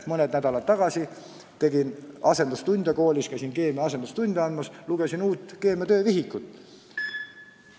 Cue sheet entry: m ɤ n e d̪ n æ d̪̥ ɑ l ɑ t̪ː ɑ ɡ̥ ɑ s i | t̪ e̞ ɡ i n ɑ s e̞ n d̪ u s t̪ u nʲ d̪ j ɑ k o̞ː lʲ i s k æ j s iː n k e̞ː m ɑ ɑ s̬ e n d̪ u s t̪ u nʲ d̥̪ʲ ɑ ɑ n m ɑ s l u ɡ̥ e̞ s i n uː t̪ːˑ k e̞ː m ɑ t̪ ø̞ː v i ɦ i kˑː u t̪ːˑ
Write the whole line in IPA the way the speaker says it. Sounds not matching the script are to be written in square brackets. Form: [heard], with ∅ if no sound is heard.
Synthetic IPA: m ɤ n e d̪ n æ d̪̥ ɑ l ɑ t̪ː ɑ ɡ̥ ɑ s i | t̪ e̞ ɡ i n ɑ s e̞ n d̪ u s t̪ u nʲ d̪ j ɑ k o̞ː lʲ i s k æ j s [i] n k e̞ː m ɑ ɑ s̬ e n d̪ u s t̪ u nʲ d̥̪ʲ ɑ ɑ n m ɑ s l u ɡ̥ e̞ s i n uː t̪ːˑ k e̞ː m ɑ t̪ ø̞ː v i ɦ i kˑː u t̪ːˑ

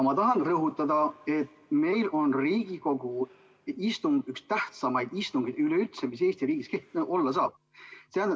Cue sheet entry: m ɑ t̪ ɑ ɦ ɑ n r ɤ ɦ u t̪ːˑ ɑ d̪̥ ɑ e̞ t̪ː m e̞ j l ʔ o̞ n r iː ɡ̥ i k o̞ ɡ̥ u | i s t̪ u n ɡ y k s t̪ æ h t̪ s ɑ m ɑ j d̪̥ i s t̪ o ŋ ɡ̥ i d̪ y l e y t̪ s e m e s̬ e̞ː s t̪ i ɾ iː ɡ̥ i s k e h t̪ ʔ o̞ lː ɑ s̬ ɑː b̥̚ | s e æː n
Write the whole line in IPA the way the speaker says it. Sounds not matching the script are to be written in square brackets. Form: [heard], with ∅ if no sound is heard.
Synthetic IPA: m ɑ t̪ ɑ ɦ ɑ n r ɤ ɦ u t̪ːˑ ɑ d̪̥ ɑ e̞ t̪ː m e̞ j l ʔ o̞ n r iː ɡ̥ i k o̞ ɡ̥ u | i s t̪ u [ŋ] ɡ y k s t̪ æ h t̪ s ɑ m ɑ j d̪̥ i s t̪ [u] ŋ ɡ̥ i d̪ y l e y t̪ s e m [i] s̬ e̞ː s t̪ i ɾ iː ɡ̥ i s k e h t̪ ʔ o̞ lː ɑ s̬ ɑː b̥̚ | s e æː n

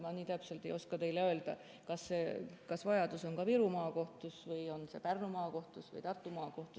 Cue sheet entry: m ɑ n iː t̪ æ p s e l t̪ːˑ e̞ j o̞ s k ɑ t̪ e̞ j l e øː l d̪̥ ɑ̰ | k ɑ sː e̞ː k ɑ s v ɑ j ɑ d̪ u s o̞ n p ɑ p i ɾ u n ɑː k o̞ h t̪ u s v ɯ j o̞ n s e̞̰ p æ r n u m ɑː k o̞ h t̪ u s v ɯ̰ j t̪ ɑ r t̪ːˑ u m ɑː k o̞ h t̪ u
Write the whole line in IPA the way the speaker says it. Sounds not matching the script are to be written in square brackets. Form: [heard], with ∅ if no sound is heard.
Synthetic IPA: m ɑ n iː t̪ æ p s e l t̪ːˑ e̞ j o̞ s k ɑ t̪ e̞ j l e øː l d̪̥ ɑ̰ | k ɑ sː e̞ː k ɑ s v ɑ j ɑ d̪ u s o̞ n [k] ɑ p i ɾ u [m] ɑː k o̞ h t̪ u s v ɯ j o̞ n s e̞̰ p æ r n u m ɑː k o̞ h t̪ u s v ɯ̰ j t̪ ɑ r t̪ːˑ u m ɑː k o̞ h t̪ u

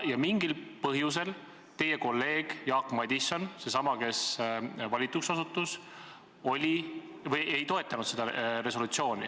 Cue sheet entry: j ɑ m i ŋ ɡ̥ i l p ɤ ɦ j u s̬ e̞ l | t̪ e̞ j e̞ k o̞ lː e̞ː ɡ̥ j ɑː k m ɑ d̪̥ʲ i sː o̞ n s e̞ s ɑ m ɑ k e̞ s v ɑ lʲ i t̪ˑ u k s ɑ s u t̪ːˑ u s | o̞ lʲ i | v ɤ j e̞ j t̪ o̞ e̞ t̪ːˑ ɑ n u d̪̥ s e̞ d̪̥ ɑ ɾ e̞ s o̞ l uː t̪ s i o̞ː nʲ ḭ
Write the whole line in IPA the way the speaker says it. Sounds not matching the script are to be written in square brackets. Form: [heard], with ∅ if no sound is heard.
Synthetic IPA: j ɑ m i ŋ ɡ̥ i l p ɤ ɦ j u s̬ e̞ l | t̪ e̞ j e̞ k o̞ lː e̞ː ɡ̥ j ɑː k m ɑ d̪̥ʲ i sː o̞ n s e̞ s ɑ m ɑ k e̞ s v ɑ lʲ i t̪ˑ u k s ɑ s u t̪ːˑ u s | o̞ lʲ i | v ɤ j e̞ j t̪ o̞ e̞ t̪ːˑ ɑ n u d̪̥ s e̞ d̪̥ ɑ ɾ e̞ s o̞ l [u] t̪ s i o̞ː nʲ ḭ

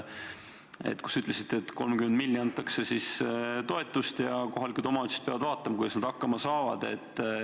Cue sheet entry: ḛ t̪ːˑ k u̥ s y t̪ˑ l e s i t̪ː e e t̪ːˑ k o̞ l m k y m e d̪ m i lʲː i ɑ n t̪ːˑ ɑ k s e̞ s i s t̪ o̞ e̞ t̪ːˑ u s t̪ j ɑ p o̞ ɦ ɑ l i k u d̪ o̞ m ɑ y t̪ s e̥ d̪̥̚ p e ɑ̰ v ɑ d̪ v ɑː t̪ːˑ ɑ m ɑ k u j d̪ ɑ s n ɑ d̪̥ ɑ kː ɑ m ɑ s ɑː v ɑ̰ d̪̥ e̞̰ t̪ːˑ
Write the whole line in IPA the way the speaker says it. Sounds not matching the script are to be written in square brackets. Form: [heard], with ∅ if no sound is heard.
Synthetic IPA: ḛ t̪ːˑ k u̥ s y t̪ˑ l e s i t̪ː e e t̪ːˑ k o̞ l m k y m e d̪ m i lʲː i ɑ n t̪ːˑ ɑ k s e̞ s i s t̪ o̞ e̞ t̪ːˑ u s t̪ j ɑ [k] o̞ ɦ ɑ l i k u d̪ o̞ m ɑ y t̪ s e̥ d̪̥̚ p e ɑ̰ v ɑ d̪ v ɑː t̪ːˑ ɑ m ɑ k u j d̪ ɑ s n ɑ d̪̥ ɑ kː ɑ m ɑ s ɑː v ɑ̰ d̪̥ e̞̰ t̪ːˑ

